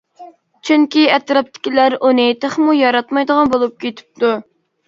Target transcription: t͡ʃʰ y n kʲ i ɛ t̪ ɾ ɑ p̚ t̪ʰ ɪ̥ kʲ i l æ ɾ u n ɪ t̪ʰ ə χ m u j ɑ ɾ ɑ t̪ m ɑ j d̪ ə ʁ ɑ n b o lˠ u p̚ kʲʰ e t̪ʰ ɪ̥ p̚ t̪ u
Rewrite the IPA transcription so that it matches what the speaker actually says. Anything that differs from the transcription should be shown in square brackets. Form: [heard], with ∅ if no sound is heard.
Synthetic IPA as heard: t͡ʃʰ y [ŋ] kʲ i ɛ t̪ ɾ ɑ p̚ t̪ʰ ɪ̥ kʲ i l æ ɾ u n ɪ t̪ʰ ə χ m u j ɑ ɾ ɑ t̪ m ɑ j d̪ ə ʁ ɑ n b o lˠ u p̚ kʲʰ e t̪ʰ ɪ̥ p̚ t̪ u